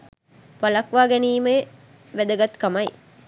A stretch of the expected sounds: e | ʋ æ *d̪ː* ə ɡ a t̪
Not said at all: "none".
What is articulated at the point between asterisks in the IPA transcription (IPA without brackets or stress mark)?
d̪